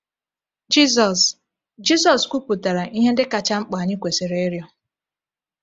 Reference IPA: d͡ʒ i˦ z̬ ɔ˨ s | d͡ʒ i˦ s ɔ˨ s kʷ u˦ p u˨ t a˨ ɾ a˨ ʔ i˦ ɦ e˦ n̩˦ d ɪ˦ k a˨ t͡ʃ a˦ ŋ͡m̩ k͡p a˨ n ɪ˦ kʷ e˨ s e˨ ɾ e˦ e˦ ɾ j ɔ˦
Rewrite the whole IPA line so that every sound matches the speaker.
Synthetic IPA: d͡ʒ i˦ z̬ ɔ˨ s | d͡ʒ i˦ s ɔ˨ s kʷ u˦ p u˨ t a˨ ɾ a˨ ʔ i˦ ɦ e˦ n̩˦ d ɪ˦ k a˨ t͡ʃ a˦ ŋ͡m̩ k͡p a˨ ɲ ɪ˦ kʷ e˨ s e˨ ɾ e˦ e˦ ɾ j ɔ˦